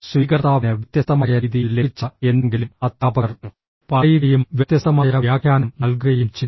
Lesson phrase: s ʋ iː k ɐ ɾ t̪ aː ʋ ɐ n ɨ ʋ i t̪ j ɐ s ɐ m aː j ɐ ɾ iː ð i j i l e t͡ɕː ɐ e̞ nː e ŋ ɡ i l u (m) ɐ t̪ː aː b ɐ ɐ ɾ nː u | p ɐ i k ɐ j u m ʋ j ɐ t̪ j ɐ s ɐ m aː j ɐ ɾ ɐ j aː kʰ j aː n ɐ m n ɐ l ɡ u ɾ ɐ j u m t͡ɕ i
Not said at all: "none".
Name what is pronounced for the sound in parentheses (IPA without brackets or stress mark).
m